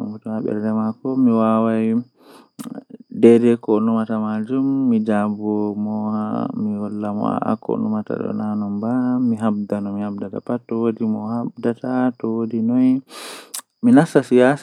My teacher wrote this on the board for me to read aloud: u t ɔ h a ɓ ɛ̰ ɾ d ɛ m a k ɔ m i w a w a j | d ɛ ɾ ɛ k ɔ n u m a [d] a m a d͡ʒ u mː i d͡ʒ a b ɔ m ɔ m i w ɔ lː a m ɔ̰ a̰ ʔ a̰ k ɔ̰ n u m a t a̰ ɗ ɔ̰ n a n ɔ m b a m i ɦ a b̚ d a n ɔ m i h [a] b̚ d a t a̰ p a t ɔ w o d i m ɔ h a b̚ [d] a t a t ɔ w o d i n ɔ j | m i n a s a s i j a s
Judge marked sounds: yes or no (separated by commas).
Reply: no, yes, yes